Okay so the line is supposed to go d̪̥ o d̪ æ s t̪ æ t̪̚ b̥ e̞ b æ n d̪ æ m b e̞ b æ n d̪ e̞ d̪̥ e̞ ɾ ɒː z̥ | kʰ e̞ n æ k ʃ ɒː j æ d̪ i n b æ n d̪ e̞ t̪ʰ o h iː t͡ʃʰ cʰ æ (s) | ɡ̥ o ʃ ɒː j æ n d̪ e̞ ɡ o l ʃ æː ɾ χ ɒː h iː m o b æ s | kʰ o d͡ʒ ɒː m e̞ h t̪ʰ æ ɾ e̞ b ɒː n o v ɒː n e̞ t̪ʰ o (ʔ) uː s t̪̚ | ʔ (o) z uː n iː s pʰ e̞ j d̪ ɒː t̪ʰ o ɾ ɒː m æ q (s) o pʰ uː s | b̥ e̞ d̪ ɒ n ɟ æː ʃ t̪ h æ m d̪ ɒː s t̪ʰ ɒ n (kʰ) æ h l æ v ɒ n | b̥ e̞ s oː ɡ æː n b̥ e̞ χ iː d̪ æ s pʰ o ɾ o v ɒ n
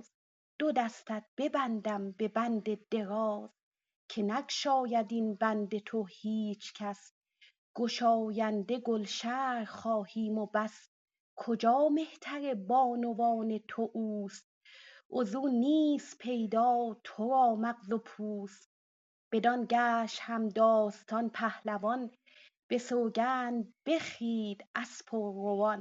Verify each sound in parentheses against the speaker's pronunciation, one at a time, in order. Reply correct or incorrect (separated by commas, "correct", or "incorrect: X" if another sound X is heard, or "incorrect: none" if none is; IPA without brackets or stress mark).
correct, correct, correct, incorrect: z, incorrect: pʰ